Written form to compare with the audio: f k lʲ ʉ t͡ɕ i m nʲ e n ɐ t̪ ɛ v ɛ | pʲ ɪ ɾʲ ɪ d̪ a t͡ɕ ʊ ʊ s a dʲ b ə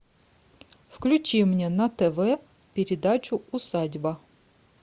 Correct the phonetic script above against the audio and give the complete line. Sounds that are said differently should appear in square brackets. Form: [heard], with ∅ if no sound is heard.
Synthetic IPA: f k lʲ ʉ t͡ɕ i m nʲ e n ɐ t̪ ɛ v ɛ | pʲ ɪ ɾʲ ɪ d̪ a t͡ɕ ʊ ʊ s a dʲ b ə

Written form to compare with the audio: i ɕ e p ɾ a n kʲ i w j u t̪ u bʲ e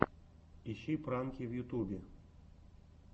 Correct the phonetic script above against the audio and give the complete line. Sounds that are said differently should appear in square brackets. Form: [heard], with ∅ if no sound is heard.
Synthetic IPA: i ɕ [i] p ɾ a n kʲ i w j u t̪ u bʲ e

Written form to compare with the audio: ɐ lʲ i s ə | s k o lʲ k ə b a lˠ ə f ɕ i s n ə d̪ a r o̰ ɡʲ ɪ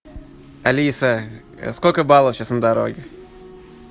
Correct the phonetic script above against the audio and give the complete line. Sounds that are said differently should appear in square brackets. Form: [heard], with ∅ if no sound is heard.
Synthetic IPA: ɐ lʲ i s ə | s k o lʲ k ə b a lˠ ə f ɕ [a] s n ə d̪ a [ɾ] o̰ ɡʲ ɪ

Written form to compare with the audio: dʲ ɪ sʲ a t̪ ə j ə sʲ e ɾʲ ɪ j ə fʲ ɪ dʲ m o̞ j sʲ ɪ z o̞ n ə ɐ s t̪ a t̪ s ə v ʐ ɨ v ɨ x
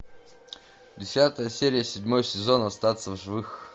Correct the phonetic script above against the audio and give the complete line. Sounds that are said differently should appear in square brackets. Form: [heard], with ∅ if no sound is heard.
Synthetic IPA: dʲ ɪ sʲ a t̪ ə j ə sʲ e ɾʲ ɪ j ə [sʲ] ɪ dʲ m o̞ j sʲ ɪ z o̞ n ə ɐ s t̪ a t̪ s ə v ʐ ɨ v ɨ x

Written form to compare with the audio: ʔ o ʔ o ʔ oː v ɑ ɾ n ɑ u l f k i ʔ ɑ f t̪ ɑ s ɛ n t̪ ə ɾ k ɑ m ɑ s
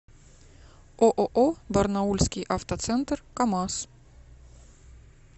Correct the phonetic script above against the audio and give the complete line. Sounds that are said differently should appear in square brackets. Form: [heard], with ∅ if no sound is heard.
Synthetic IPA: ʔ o ʔ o ʔ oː [b] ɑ ɾ n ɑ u l [s] k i ʔ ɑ f t̪ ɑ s ɛ n t̪ ə ɾ k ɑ m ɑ s

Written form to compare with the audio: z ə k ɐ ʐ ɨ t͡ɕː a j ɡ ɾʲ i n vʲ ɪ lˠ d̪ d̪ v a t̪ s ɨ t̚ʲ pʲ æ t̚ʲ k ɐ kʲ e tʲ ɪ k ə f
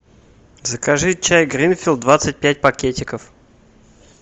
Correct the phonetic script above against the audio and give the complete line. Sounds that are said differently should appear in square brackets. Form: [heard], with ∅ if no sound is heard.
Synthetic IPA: z ə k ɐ ʐ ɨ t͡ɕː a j ɡ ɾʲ i n [fʲ] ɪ lˠ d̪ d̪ v a t̪ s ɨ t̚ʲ pʲ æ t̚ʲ [p] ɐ kʲ e tʲ ɪ k ə f

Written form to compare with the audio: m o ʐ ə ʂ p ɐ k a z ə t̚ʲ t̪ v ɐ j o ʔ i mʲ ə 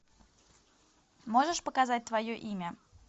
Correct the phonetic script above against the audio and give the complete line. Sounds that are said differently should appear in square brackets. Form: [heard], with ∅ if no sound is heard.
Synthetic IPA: m o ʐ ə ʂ p [ə] k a z [a] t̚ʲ t̪ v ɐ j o ʔ i mʲ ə

